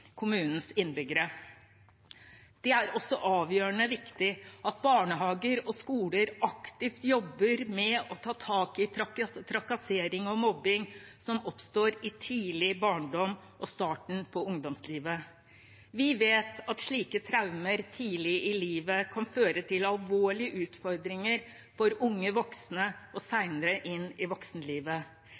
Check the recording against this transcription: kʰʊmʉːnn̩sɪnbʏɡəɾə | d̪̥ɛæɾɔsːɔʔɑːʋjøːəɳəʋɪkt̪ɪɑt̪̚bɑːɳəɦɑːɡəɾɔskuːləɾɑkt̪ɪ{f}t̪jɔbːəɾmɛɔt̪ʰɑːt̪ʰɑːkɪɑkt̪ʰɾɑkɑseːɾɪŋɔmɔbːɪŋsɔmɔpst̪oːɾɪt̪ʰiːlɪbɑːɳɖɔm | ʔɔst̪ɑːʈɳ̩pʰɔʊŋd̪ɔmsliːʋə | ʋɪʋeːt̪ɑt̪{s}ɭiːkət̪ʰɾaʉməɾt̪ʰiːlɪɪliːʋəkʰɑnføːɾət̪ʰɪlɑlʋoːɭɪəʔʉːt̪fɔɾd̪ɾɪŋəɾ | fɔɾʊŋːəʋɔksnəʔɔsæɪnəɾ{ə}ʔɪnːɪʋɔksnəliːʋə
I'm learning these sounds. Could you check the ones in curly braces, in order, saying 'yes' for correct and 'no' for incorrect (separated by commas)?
yes, no, yes